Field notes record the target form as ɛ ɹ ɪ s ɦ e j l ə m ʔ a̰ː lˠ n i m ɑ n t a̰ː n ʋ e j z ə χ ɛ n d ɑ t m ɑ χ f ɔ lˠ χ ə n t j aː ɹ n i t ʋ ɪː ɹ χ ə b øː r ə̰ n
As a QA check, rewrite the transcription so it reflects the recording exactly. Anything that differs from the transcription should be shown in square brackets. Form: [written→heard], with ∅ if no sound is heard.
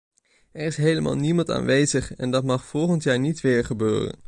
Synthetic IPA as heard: ɛ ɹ ɪ s ɦ e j l ə m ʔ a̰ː lˠ n i m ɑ n t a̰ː n ʋ e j z ə χ ɛ n d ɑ t m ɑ χ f ɔ lˠ χ ə n t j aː ɹ n i t ʋ ɪː ɹ χ ə b øː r ə̰ n